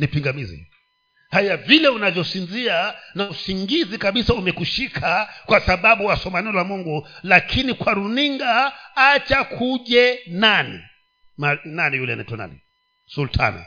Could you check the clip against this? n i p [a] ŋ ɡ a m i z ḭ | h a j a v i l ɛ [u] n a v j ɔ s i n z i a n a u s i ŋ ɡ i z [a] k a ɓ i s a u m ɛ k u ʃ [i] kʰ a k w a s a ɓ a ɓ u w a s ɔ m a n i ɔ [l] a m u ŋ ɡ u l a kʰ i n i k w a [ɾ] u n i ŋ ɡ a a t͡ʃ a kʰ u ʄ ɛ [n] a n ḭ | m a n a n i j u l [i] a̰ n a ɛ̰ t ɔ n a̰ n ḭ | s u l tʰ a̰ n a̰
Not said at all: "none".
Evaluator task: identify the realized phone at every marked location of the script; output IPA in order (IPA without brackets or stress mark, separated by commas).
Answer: i, u, i, i, l, ɾ, n, ɛ